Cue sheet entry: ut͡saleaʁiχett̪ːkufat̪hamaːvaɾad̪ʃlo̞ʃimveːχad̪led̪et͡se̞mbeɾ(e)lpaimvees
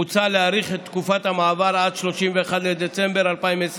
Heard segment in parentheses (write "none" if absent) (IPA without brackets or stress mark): a